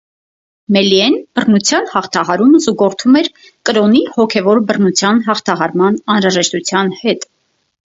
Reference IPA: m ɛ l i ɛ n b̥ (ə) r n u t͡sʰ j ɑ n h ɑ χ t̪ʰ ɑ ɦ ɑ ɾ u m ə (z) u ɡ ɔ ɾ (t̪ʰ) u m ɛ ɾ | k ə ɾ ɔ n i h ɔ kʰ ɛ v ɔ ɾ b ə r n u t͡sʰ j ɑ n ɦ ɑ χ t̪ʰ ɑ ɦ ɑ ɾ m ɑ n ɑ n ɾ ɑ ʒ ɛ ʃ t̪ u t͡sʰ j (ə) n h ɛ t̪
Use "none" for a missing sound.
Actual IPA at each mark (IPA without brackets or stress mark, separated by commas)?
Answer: ə, z, t̪ʰ, ɑ